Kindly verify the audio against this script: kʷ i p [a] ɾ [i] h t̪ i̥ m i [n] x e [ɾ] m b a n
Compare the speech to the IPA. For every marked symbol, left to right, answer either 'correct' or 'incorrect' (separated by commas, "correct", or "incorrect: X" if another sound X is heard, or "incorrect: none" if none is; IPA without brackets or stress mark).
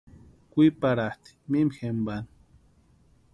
correct, incorrect: a, incorrect: m, incorrect: none